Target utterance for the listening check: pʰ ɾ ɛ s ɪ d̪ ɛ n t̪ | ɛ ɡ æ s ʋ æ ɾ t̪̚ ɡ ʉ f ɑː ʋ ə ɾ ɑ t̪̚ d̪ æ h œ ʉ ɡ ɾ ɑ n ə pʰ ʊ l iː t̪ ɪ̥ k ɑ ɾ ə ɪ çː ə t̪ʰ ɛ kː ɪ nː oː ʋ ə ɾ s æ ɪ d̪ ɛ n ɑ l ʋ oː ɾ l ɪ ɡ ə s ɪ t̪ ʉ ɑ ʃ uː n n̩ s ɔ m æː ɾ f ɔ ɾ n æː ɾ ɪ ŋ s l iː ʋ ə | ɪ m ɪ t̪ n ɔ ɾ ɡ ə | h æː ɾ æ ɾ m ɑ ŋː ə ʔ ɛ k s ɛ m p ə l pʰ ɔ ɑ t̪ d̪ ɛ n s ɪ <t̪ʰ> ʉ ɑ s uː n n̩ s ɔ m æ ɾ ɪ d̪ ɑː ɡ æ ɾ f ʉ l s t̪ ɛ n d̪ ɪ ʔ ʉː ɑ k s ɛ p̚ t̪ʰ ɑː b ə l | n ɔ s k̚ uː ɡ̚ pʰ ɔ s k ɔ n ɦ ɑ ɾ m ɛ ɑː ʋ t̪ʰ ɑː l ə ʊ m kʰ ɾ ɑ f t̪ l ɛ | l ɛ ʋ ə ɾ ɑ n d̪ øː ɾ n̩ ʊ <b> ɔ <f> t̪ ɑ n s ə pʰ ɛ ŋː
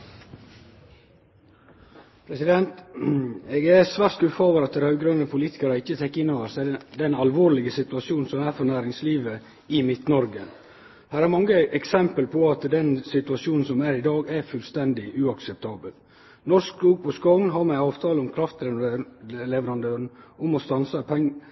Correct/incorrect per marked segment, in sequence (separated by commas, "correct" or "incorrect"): incorrect, incorrect, incorrect